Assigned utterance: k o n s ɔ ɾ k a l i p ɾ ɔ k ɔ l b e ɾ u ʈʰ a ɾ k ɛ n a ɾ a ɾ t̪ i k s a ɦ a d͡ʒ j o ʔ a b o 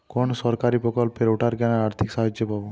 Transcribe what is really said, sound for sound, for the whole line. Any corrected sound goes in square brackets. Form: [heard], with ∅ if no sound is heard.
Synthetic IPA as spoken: k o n s ɔ ɾ k a [ɾ] i p ɾ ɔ k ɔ l [p] e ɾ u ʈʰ a ɾ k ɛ n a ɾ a ɾ [t̪ʰ] i k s a ɦ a d͡ʒ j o [p] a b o